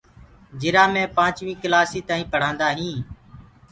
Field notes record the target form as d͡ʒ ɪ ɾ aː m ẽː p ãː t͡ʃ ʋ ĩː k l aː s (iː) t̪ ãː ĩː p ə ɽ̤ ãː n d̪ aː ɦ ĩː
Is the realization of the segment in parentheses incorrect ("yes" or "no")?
no